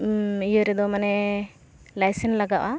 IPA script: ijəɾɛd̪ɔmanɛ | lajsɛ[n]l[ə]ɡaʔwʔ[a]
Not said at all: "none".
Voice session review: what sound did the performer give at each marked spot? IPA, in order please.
n, a, a

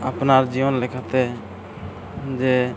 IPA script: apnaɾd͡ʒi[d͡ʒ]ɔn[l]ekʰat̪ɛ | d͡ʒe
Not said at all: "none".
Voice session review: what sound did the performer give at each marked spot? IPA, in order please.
none, l

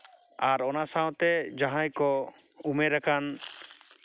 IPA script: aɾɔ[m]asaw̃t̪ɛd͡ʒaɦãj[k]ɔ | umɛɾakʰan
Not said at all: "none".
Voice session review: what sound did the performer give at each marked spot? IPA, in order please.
n, k

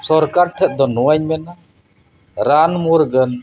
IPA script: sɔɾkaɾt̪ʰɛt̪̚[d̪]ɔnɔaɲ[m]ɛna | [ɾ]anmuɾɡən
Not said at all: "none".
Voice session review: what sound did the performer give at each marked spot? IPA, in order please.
d̪, m, ɾ

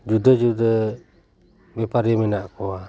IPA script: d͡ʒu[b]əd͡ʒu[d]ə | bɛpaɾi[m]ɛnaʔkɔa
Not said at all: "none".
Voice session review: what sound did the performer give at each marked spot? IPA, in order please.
d, d, m

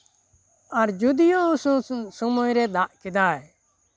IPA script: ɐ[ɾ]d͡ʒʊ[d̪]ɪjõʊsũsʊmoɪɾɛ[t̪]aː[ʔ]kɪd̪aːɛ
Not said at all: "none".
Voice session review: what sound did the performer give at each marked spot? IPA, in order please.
ɾ, d̪, d̪, ʔ

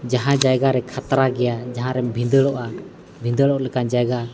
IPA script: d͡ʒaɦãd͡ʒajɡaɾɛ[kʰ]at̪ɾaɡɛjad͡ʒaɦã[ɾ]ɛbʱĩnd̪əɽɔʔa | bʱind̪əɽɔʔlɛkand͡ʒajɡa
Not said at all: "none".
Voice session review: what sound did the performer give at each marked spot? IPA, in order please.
kʰ, ɾ

